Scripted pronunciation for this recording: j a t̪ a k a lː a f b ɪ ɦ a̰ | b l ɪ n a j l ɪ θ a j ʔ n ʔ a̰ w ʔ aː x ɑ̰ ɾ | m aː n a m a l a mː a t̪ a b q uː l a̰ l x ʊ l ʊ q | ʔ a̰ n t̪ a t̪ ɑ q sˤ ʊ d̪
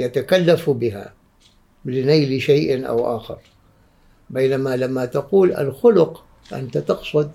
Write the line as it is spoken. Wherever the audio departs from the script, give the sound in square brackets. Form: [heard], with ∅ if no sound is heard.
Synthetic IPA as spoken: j a t̪ a k a lː a f b ɪ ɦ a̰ | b l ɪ n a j l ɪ [ʃ] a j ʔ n ʔ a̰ w ʔ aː x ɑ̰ ɾ | [b] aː n a m a l a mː a t̪ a [∅] q uː l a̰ l x ʊ l ʊ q | ʔ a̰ n t̪ a t̪ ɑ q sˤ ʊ d̪